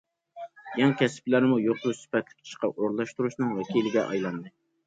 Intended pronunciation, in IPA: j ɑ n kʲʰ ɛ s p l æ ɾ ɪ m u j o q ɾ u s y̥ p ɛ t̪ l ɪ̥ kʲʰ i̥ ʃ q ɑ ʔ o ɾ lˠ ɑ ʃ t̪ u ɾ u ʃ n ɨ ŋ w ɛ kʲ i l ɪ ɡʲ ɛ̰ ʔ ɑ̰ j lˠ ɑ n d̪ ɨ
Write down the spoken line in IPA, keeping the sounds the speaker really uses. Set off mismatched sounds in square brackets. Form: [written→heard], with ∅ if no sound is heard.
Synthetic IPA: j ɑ [n→ŋ] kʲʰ ɛ s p l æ ɾ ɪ m u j o q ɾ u s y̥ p ɛ t̪ l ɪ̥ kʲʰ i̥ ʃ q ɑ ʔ o ɾ lˠ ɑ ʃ t̪ u ɾ u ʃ n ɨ ŋ w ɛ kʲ i l ɪ ɡʲ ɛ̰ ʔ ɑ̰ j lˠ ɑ n d̪ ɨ